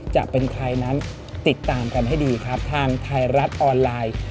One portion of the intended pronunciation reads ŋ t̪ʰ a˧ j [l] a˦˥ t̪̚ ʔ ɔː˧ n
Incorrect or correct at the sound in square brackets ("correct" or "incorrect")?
incorrect